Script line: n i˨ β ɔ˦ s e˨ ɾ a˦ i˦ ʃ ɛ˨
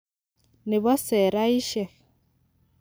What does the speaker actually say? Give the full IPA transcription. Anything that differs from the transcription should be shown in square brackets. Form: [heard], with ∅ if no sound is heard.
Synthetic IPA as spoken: n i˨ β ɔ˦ s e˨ ɾ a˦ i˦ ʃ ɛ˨